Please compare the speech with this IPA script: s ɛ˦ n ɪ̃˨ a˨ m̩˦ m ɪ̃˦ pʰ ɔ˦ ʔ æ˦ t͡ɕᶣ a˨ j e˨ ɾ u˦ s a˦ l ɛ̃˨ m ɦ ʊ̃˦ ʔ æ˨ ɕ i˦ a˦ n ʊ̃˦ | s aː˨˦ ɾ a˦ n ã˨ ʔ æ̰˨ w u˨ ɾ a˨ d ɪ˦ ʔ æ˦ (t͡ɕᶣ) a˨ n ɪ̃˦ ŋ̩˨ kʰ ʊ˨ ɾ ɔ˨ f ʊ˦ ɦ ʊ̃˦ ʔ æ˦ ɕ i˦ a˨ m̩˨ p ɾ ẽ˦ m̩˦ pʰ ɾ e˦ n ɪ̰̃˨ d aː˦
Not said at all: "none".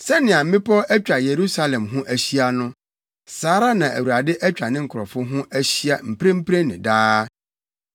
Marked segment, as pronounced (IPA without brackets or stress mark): t͡ɕᶣ